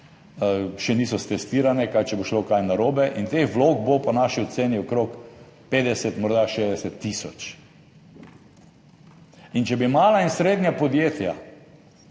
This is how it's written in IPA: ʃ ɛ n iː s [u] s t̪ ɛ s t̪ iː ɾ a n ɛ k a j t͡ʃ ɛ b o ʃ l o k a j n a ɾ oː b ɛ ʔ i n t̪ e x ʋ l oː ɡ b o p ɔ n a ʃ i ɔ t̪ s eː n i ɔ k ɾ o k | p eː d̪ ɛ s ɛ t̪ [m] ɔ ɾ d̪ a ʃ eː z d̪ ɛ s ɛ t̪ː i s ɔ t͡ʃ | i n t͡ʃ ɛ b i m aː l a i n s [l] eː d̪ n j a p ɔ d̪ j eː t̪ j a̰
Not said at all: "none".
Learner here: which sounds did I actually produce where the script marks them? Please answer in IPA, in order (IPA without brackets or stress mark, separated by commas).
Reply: ɔ, m, ɾ